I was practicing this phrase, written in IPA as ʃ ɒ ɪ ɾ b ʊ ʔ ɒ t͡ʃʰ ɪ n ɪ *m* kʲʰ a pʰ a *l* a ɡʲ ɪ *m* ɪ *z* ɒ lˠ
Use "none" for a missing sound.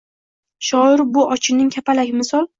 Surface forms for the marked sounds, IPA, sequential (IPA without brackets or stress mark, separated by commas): ŋ, l, m, s